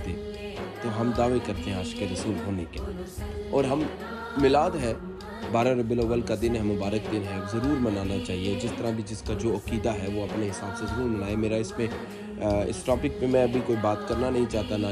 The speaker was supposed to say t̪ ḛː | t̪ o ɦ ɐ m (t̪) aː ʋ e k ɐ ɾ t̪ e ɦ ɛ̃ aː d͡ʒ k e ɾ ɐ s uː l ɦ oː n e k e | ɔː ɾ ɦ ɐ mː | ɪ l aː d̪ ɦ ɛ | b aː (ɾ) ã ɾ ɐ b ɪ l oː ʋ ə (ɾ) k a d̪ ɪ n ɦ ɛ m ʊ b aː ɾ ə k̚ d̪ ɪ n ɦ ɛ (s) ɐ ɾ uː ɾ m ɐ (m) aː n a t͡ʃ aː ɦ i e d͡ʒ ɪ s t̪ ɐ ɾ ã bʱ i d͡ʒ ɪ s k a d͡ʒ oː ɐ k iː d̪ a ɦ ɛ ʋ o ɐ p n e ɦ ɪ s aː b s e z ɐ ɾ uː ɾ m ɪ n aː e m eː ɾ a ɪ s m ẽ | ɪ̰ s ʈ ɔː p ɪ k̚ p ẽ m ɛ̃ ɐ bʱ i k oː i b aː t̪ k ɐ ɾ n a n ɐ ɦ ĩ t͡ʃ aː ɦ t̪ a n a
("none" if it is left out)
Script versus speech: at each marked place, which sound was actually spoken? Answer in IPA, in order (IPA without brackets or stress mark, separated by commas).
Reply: d̪, ɾ, l, z, n